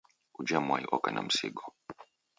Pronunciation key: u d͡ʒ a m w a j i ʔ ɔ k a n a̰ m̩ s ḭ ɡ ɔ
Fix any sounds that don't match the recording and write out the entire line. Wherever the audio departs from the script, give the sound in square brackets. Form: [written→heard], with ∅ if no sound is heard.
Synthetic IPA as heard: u d͡ʒ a m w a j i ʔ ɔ k a n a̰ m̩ s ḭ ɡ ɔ